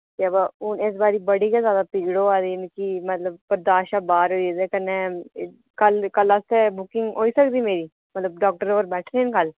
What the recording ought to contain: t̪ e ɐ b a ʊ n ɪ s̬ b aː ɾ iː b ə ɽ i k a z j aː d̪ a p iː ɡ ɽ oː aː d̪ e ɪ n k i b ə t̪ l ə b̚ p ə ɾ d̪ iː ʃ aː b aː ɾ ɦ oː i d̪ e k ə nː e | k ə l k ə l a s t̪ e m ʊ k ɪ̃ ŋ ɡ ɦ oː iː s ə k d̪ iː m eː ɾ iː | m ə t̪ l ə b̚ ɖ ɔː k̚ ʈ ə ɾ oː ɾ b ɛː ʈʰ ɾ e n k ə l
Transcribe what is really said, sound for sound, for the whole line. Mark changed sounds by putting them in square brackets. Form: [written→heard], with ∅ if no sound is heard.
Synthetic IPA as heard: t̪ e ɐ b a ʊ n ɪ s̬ b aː ɾ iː b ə ɽ i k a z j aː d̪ a p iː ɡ ɽ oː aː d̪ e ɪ n k i [b→m] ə t̪ l ə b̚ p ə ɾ d̪ [iː→aː] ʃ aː b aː ɾ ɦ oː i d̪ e k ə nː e | k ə l k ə l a s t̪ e [m→b] ʊ k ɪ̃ ŋ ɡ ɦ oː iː s ə k d̪ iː m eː ɾ iː | m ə t̪ l ə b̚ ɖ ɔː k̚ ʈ ə ɾ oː ɾ b ɛː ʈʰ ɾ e n k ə l